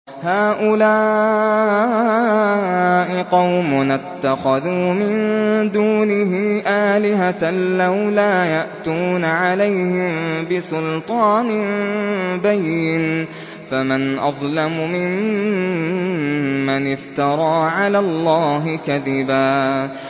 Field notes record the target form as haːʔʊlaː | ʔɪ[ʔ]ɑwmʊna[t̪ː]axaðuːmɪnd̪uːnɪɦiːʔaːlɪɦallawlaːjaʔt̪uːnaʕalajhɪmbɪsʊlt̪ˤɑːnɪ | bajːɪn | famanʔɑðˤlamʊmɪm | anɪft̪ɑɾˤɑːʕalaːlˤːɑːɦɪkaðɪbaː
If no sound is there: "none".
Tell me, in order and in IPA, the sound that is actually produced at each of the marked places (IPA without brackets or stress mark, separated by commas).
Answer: q, t̪ː